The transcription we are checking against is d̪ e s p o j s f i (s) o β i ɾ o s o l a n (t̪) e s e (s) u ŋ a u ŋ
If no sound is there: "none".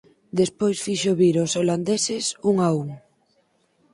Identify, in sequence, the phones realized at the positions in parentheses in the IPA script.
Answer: ʃ, d̪, s

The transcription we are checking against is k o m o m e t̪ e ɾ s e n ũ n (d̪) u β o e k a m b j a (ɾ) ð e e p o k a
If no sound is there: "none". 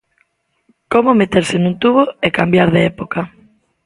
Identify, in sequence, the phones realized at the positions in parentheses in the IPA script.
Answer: t̪, ɾ

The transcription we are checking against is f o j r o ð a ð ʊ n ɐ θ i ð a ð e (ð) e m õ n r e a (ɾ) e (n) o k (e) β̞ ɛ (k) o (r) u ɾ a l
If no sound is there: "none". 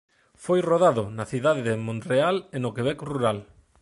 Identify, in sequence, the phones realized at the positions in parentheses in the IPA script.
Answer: ð, l, n, e, k, r

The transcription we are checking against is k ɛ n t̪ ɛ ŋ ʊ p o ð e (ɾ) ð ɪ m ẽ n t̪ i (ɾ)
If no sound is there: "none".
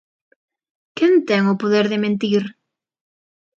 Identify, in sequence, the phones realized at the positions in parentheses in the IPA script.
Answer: ɾ, ɾ

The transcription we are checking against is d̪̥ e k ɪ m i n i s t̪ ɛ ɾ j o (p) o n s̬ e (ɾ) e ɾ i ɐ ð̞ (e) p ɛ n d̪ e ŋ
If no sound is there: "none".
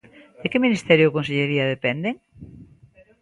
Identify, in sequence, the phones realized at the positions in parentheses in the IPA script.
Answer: k, ʎ, e

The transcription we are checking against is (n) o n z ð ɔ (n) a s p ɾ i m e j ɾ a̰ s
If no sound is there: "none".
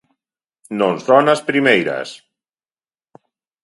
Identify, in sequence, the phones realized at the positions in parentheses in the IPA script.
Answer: n, n

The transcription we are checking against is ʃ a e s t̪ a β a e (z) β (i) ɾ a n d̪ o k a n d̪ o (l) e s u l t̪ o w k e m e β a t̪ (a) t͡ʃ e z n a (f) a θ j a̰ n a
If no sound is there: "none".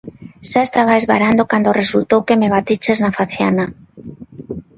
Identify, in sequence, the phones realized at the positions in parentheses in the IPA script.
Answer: z, a, r, i, f

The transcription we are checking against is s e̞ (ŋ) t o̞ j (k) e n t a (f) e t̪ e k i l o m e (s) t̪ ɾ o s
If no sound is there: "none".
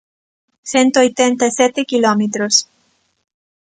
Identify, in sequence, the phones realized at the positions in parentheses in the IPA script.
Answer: n, t, s, none

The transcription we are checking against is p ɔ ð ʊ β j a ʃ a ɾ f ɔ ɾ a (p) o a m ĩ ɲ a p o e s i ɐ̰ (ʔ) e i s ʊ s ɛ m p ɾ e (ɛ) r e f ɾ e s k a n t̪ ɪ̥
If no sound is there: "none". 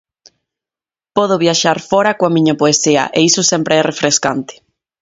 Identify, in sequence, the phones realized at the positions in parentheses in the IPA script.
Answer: k, ʔ, ɛ

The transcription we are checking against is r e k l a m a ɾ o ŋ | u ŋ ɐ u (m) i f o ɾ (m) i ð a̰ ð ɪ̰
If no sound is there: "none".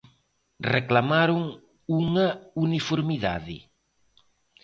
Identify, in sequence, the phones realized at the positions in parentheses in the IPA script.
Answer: n, m

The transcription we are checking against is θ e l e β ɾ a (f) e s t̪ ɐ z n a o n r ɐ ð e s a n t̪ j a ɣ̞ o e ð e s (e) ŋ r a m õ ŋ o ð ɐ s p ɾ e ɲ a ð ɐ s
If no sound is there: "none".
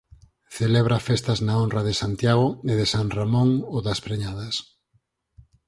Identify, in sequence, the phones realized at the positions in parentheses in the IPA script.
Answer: f, a

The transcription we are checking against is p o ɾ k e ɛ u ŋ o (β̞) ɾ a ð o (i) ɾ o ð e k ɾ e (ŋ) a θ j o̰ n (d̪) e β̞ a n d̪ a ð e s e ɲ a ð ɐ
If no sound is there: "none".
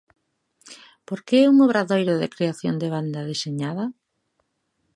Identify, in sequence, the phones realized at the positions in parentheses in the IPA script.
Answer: β̞, j, none, d̪

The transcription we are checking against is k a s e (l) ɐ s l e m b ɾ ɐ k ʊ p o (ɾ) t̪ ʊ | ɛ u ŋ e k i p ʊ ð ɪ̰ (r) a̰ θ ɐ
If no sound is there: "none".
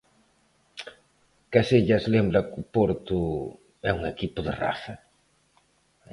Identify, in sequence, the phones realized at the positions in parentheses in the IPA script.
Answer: ʎ, ɾ, r

